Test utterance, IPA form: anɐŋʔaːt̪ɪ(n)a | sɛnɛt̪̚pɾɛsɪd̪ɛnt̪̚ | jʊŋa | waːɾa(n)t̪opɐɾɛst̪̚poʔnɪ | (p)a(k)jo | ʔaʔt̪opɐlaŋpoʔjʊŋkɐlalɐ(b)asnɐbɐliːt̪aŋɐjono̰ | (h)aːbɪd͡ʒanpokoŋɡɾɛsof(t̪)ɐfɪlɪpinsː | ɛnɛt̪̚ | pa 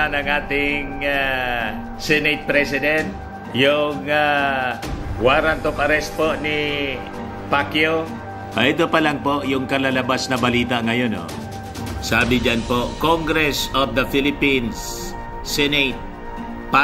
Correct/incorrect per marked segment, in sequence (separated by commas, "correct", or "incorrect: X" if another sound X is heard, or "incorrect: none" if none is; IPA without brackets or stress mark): incorrect: ŋ, correct, correct, correct, correct, incorrect: s, incorrect: d̪